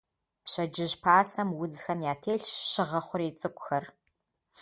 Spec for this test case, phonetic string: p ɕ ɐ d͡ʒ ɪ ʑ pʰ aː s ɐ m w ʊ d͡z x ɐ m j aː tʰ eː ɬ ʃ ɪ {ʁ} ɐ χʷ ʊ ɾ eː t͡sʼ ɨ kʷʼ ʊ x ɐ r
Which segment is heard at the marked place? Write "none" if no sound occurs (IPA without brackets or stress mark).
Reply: ʁ